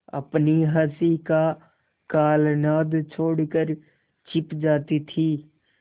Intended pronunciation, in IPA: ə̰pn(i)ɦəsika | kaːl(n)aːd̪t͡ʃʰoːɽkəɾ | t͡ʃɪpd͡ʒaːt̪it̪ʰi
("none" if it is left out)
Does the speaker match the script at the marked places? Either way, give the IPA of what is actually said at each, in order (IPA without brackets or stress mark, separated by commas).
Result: i, n